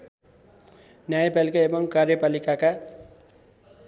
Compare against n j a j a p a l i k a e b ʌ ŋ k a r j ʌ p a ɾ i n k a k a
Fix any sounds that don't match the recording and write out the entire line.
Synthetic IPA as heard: n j a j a p a l i k a e b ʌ ŋ k a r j ʌ p a l i k a k a